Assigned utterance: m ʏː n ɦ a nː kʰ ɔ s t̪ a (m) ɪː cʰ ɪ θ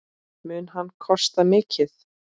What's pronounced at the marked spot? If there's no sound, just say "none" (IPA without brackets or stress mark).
m